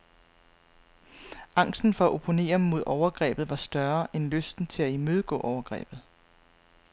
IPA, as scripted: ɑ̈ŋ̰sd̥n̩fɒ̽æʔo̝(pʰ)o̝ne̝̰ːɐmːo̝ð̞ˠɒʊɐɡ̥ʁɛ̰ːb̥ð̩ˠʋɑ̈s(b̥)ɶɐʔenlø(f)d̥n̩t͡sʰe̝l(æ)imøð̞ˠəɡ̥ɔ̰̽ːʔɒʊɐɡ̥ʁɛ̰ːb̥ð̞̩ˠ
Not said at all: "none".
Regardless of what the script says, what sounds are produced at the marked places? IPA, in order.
pʰ, d̥, s, æ

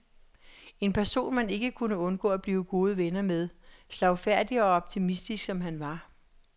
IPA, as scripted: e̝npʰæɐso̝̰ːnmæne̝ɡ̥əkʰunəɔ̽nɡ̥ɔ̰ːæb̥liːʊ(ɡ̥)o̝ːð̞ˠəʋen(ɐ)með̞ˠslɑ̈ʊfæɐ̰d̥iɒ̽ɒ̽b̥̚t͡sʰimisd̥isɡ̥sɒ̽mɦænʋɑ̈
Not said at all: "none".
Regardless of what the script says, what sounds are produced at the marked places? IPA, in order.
ɡ̥, ɐ

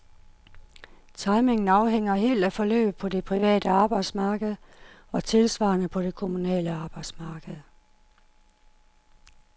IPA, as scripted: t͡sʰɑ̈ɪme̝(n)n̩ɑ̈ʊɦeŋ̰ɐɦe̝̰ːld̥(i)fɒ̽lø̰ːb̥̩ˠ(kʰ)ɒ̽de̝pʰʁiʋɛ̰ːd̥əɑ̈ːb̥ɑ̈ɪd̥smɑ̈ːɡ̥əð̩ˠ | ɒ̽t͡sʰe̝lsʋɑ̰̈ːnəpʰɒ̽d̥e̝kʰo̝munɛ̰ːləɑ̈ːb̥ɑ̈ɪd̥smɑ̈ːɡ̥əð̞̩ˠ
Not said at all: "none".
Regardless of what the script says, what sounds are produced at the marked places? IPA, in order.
ŋ, æ, pʰ

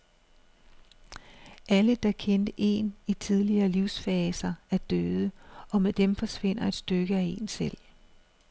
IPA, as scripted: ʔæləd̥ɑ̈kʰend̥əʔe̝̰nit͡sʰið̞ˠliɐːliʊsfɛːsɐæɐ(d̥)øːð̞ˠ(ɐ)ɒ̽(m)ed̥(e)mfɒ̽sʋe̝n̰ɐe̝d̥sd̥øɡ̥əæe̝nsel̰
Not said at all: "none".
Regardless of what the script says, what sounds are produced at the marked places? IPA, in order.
d̥, ə, m, e

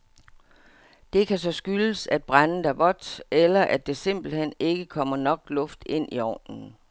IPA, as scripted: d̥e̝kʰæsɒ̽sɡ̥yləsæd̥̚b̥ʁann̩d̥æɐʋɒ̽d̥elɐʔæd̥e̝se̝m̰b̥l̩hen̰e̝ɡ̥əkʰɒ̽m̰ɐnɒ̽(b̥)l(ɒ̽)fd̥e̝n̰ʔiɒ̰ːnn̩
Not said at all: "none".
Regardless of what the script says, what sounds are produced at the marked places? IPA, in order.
ɡ̥, ɔ̽

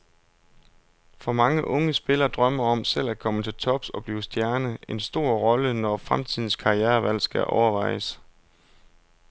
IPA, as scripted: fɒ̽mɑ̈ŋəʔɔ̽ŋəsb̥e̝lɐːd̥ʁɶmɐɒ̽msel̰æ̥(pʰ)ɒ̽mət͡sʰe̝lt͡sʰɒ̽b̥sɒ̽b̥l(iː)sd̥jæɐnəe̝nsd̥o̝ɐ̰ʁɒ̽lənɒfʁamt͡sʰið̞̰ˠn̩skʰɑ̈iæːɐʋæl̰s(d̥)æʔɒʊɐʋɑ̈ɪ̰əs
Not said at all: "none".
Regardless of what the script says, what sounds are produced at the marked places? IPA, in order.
kʰ, iː, ɡ̥

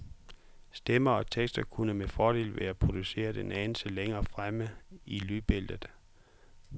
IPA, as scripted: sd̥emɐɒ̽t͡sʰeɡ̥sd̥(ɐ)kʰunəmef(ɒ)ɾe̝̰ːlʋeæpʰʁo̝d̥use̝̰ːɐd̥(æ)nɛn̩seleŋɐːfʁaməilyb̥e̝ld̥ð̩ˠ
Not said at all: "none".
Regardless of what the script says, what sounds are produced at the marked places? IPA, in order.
ɐ, ɒː, e

